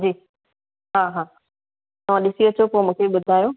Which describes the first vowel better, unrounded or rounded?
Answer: unrounded